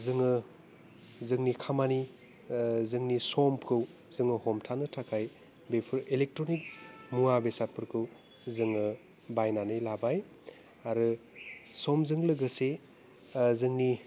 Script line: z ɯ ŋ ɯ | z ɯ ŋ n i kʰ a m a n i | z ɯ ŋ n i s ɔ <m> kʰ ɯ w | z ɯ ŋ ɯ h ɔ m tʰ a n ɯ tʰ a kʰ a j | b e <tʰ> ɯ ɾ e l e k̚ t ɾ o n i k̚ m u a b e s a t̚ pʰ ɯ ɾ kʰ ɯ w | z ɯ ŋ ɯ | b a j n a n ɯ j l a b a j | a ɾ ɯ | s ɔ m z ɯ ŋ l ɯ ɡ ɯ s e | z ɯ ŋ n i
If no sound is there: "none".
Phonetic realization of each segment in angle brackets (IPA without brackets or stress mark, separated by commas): m, pʰ